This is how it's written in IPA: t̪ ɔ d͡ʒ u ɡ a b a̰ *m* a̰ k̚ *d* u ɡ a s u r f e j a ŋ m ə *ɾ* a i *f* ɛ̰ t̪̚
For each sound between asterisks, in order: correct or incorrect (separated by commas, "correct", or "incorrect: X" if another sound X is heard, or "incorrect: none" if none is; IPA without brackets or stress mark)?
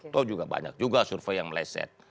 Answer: incorrect: ɲ, incorrect: d͡ʒ, incorrect: l, incorrect: s